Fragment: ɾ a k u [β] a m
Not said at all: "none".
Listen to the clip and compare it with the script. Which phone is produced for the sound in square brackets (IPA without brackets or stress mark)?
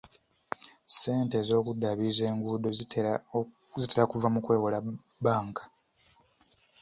v